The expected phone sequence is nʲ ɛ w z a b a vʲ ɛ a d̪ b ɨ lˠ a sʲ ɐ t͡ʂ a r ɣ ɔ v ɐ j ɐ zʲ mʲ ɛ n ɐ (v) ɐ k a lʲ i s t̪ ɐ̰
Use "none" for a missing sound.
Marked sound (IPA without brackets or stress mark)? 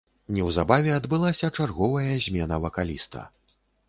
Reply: v